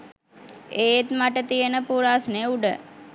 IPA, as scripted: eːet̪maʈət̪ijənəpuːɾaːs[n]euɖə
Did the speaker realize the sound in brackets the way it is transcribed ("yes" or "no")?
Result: yes